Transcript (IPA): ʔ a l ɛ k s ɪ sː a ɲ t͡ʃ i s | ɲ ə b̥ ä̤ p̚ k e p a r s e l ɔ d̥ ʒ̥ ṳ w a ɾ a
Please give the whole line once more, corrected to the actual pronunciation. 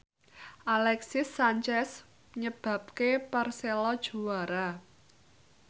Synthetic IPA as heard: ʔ a l ɛ k s ɪ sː a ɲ t͡ʃ ɛ s | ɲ ə b̥ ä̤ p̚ k e p a r s e l ɔ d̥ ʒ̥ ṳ w a ɾ a